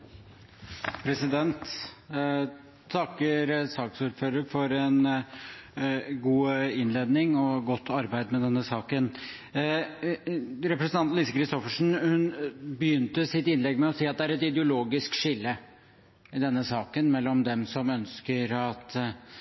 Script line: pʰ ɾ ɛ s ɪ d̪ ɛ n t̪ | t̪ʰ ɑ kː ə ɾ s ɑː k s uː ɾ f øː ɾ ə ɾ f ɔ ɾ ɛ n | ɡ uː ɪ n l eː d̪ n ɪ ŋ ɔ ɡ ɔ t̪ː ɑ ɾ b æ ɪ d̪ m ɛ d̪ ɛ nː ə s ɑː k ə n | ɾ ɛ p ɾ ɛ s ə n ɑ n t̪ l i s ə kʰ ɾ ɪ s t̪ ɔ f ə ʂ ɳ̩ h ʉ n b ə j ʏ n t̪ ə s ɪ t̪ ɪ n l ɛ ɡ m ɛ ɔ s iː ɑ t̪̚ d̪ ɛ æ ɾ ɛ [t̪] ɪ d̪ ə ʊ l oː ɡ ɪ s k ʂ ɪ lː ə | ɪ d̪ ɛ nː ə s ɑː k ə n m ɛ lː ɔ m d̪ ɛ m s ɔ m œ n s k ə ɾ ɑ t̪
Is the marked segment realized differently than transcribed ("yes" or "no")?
no